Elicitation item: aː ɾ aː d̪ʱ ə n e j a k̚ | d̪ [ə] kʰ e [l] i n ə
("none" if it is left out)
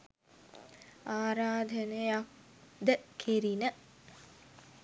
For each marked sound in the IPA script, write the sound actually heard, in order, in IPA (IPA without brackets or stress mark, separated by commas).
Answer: ə, ɾ